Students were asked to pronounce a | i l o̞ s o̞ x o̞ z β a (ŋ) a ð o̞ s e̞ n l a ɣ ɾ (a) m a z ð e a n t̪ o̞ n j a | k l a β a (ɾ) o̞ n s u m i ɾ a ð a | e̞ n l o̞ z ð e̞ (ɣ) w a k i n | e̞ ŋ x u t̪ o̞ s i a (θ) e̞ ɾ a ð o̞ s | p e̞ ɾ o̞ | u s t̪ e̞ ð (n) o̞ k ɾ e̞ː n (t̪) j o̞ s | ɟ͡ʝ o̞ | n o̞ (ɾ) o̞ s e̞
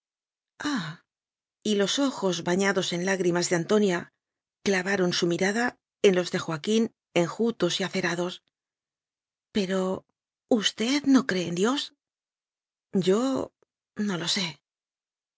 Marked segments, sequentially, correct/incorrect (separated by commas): incorrect, incorrect, correct, incorrect, correct, correct, incorrect, incorrect